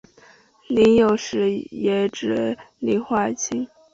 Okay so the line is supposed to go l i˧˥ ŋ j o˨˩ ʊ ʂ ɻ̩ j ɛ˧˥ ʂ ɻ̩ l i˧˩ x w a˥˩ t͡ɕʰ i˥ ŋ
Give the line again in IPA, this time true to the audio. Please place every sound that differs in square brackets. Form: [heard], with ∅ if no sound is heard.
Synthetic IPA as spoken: l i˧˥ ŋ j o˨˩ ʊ ʂ ɻ̩ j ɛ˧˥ [ʈ͡ʂ] ɻ̩ l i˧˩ x w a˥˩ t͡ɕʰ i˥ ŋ